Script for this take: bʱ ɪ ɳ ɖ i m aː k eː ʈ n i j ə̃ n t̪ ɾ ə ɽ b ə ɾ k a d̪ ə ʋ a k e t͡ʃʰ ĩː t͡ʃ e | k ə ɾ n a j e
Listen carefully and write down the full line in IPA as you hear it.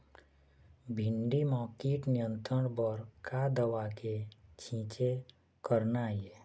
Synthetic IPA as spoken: bʱ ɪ ɳ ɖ i m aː k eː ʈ n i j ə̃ n t̪ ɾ ə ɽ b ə ɾ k a d̪ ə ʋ a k e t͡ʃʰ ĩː t͡ʃ e | k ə ɾ n a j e